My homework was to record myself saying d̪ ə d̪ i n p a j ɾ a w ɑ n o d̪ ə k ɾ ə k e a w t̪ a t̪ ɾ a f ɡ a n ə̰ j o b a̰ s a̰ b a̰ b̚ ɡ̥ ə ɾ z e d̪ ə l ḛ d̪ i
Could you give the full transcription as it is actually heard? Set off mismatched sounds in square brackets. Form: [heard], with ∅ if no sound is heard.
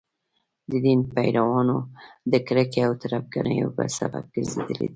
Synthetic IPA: d̪ ə d̪ i n p a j ɾ a w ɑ n o d̪ ə k ɾ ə k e a w t̪ a [∅] ɾ a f ɡ a n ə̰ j o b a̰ s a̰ b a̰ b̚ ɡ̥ ə ɾ z e d̪ ə l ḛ d̪ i